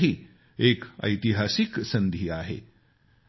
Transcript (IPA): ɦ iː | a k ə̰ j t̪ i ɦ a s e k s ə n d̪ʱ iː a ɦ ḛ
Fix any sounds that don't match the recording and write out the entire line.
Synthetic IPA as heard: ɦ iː | e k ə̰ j t̪ i ɦ a s i k s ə n d̪ʱ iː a ɦ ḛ